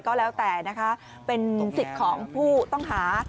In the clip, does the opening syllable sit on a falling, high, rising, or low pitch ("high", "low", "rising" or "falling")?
falling